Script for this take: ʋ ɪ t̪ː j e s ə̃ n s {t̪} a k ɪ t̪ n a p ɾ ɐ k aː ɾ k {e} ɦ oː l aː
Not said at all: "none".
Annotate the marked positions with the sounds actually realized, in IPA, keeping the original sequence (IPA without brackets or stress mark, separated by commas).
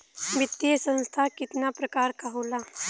t̪ʰ, a